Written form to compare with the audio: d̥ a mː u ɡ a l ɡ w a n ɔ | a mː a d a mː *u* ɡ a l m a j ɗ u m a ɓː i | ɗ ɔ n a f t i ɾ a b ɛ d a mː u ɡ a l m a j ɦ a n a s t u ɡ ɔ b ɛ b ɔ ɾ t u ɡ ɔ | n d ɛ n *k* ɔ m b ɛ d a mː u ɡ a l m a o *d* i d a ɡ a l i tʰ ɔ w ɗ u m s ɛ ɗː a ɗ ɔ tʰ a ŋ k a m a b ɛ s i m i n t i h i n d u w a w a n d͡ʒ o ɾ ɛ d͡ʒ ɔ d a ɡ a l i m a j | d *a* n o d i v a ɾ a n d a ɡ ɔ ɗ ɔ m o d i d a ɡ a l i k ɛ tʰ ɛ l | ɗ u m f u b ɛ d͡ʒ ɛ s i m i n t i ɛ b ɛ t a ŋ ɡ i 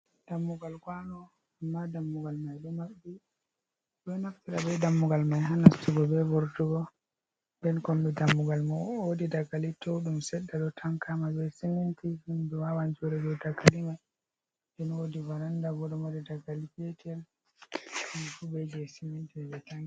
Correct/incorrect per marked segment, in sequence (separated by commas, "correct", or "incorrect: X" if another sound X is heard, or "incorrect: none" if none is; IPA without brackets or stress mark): correct, correct, correct, incorrect: ɛ